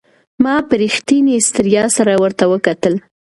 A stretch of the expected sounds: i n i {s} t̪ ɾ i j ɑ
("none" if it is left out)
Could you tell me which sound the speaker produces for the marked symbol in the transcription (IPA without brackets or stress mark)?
s